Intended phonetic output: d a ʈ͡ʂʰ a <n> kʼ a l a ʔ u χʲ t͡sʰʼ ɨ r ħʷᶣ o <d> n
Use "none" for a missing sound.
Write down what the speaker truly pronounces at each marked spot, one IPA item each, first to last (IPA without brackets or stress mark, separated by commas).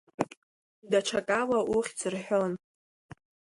none, none